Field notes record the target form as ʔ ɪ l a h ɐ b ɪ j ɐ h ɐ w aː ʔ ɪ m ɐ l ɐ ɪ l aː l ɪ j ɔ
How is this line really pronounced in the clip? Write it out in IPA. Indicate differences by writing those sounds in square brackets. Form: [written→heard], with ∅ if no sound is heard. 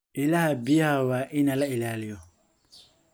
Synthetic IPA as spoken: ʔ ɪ l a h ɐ b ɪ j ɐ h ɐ w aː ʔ ɪ [m→n] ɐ l ɐ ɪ l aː l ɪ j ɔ